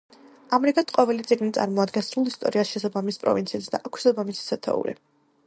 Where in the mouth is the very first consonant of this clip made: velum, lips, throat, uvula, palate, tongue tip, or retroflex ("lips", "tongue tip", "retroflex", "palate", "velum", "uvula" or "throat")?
lips